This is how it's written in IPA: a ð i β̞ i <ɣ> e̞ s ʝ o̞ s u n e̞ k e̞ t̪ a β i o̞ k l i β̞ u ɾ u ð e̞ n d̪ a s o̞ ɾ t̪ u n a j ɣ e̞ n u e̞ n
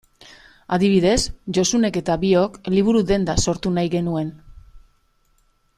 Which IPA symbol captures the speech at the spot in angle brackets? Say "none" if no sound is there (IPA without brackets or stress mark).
ð